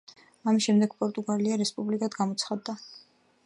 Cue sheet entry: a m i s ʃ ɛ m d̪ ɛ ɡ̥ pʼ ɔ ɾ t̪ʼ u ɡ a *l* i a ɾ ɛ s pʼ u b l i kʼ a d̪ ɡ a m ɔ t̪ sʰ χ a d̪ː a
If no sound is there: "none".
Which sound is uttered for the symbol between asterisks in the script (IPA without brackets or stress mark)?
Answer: l